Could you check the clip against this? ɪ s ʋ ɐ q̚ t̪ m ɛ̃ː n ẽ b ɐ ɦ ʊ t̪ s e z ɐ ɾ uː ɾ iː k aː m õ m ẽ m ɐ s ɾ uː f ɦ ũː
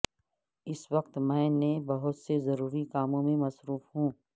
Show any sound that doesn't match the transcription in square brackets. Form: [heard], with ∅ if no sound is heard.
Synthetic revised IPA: ɪ s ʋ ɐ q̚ t̪ m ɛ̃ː n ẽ b ɐ ɦ ʊ t̪ s e z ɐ ɾ uː ɾ [i] k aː m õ m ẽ m ɐ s ɾ uː f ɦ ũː